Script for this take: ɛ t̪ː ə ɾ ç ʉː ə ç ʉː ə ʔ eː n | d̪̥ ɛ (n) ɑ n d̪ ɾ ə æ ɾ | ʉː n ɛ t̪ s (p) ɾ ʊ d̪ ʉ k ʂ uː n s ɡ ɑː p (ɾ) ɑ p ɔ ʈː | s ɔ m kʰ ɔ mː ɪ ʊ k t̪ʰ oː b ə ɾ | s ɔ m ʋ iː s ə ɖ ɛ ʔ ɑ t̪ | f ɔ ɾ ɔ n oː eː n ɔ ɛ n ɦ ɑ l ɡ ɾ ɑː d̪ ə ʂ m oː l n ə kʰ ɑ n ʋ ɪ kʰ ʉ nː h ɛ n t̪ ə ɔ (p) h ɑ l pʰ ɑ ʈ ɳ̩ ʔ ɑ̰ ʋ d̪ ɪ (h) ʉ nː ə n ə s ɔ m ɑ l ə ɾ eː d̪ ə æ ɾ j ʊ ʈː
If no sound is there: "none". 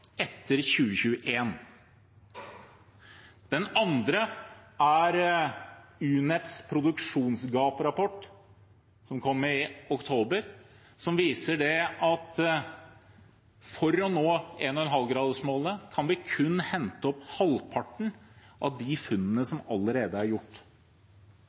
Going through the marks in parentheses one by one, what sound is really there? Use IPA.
n, pʰ, ɾ, p, f

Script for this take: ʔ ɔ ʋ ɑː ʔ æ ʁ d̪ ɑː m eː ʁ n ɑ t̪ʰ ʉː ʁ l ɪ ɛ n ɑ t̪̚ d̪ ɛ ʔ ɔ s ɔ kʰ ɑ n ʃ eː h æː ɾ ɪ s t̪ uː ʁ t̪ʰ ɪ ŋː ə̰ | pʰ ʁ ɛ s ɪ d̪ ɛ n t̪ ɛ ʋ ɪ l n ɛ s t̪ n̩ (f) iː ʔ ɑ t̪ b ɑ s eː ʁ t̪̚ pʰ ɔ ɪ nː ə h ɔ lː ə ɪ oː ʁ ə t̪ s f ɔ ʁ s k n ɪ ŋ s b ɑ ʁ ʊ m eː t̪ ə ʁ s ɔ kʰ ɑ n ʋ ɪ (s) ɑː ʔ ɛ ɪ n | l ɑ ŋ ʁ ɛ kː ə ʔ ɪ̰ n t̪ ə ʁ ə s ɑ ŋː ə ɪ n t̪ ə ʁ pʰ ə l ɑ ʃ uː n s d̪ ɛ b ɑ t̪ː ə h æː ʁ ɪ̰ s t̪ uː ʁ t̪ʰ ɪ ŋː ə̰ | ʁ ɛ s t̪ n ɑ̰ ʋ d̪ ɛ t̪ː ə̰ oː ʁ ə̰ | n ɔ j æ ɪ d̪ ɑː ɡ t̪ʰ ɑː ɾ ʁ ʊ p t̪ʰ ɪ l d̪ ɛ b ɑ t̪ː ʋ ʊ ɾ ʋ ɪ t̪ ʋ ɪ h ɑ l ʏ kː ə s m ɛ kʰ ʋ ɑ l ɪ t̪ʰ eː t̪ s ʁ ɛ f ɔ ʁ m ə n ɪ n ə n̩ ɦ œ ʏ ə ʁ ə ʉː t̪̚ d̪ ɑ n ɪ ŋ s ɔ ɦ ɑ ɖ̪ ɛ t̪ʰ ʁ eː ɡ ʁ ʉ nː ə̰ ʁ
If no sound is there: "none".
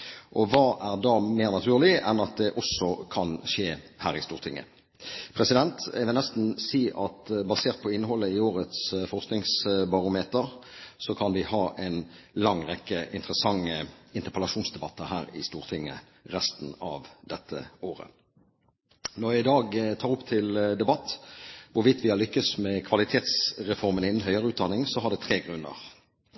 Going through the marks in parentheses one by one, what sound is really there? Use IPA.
s, h

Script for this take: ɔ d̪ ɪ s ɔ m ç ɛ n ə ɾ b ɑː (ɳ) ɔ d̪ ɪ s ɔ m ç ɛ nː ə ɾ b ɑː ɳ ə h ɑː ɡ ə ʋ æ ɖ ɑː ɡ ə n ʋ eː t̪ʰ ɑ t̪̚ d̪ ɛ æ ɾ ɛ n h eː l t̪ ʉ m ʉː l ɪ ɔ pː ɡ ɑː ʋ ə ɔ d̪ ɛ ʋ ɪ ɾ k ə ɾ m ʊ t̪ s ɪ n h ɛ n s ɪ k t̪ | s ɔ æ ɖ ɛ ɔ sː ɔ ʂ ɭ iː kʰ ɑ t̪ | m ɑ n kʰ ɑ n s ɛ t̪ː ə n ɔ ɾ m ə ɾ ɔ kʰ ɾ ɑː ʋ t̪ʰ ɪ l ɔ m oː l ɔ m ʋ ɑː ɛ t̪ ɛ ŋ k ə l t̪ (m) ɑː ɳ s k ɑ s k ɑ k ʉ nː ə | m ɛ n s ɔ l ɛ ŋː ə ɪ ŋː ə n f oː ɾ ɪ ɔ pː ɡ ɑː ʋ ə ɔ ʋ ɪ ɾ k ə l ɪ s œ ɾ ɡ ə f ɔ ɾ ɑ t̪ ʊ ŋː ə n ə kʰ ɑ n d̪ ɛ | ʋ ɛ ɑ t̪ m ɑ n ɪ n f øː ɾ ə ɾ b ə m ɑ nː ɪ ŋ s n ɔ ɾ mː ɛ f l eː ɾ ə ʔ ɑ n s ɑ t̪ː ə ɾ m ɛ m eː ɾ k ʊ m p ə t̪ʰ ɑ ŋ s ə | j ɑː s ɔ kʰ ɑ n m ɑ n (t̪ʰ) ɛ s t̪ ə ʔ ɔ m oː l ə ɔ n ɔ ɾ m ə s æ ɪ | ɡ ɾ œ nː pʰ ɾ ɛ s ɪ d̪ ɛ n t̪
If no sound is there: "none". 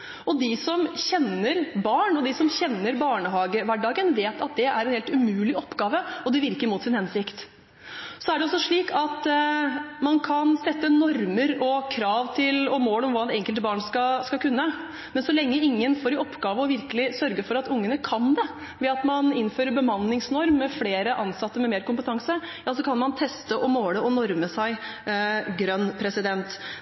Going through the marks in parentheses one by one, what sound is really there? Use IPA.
ɳ, b, t̪ʰ

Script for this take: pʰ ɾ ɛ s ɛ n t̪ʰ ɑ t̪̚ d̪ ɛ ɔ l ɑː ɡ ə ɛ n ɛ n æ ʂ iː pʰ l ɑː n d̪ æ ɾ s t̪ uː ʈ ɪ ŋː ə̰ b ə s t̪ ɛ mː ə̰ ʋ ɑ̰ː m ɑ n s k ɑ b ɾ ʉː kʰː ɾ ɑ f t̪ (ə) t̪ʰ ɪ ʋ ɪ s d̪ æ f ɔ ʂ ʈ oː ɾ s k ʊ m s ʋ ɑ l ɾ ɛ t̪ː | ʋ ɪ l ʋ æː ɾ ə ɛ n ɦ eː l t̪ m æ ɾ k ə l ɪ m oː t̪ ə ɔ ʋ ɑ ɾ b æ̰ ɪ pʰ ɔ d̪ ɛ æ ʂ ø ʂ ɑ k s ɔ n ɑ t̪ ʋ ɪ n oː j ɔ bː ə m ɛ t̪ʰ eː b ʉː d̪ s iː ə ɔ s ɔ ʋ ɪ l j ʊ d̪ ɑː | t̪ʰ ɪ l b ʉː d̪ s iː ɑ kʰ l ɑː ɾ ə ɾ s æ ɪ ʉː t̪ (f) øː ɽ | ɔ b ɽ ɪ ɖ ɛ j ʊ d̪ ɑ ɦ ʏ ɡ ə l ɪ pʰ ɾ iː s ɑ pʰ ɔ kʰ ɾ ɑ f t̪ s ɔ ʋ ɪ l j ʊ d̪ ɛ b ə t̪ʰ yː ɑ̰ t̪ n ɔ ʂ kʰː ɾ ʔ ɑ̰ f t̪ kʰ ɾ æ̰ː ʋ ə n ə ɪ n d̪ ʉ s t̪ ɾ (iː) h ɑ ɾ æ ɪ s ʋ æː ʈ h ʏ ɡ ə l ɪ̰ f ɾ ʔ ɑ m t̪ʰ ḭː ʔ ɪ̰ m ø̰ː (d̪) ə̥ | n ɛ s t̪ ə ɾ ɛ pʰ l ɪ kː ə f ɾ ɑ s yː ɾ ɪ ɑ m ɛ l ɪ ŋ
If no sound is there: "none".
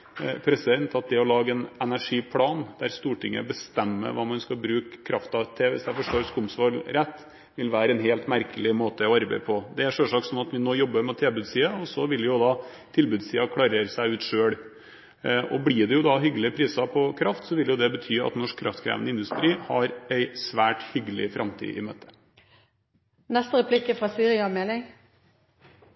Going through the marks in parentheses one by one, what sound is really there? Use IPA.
ɑ, ʂ, iː, t̪

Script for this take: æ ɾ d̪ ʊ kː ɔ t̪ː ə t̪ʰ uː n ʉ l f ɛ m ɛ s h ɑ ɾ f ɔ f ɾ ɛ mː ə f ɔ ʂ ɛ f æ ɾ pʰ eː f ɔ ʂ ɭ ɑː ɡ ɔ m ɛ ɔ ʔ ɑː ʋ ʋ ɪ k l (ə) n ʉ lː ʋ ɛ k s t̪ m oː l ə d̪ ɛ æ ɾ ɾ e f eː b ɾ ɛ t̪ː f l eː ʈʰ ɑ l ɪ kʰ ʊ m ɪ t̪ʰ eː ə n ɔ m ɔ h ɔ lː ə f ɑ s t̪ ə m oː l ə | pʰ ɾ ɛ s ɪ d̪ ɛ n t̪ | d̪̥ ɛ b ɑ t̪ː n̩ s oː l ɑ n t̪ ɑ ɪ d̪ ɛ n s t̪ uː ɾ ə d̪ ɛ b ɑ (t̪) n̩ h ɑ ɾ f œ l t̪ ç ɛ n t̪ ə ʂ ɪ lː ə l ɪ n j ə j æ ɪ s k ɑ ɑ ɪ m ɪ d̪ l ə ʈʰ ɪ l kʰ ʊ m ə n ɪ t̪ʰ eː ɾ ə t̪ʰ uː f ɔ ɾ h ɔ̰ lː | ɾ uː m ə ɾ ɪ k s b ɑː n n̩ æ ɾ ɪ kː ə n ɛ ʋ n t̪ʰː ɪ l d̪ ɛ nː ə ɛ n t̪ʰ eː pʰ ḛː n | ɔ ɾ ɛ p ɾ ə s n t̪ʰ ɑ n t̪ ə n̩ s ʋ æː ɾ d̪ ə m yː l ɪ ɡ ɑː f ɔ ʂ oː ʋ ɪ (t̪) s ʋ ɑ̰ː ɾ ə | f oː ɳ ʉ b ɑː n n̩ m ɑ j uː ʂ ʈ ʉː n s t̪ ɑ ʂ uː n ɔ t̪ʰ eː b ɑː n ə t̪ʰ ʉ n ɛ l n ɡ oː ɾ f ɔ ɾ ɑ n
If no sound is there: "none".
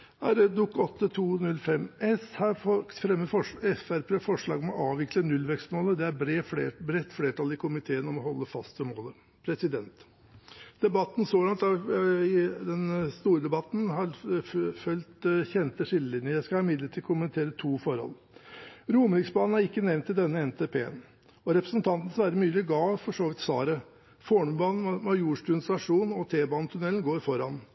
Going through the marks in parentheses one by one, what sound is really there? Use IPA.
ə, t̪, t̪

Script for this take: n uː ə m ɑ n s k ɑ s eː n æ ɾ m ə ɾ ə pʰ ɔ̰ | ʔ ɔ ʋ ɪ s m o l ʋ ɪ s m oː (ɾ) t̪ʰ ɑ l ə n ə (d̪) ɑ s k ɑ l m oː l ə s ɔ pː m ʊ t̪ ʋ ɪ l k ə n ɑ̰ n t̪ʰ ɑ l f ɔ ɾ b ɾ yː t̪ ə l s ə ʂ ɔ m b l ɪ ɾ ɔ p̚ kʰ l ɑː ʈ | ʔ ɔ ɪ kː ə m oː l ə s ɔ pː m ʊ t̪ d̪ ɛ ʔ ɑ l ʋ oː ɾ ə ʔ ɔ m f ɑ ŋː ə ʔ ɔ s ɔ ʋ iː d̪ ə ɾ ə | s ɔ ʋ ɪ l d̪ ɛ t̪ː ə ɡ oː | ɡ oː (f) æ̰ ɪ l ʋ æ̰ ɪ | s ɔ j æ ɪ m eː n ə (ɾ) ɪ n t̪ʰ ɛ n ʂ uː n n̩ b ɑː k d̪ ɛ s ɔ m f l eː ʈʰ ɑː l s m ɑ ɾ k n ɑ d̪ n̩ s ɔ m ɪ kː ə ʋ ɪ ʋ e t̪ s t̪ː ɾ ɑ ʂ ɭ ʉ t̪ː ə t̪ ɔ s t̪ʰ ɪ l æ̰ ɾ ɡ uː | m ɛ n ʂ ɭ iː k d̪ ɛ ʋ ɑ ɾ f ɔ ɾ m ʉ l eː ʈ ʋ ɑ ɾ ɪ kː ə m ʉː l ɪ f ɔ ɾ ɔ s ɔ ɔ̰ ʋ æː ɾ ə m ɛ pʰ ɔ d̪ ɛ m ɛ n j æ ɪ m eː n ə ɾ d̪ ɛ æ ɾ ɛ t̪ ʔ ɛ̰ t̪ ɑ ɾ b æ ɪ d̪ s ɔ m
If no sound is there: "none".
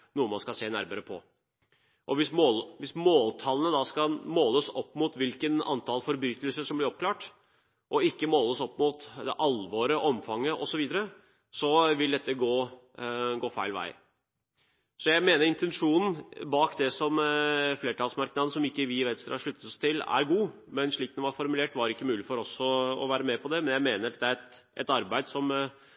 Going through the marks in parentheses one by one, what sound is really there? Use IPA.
l, d̪, f, ɾ

